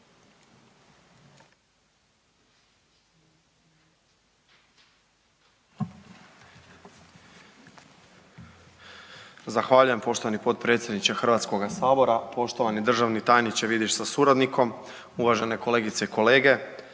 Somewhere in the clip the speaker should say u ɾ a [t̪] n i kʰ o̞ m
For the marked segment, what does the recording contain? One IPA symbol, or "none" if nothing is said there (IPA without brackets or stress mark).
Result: d̪